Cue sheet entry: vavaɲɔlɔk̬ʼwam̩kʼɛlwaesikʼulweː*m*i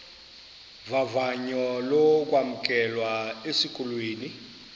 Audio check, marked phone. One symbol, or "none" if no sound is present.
n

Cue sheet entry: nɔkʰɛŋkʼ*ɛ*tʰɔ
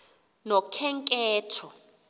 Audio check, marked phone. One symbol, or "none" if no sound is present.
ɛː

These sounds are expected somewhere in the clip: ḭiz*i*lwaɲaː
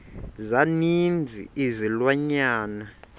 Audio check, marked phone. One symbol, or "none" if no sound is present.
i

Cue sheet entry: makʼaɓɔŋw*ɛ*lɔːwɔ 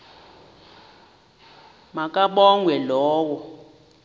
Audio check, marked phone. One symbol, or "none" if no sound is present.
ɛ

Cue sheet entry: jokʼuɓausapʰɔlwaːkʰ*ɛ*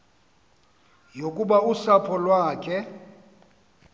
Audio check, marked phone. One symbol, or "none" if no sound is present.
ɛ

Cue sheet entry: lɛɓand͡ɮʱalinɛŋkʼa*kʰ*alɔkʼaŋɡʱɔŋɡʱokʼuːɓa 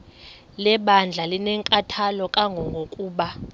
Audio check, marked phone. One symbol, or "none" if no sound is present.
tʰ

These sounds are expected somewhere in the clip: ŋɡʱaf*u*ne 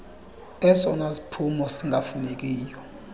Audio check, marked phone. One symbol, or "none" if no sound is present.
u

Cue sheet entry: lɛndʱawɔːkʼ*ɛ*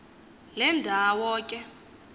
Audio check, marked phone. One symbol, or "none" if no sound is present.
ɛ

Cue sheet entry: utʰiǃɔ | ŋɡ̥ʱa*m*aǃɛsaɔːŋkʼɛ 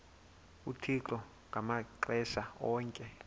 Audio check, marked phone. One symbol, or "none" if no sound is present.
m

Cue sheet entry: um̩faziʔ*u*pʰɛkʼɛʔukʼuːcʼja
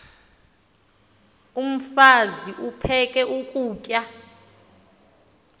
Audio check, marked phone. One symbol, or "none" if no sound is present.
u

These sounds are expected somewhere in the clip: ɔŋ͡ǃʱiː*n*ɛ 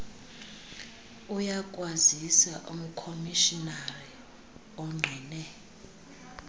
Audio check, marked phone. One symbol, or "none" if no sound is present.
n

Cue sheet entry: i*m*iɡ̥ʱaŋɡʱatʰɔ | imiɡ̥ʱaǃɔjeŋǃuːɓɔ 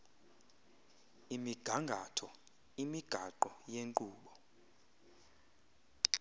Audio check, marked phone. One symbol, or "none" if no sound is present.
m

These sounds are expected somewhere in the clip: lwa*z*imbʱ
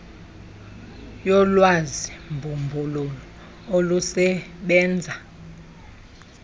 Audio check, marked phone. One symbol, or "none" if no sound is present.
z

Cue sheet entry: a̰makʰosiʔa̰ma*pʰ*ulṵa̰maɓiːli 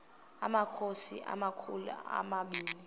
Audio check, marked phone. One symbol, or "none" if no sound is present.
kʰ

